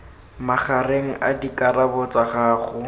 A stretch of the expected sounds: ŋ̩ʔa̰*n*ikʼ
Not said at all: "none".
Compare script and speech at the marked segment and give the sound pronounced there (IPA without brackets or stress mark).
d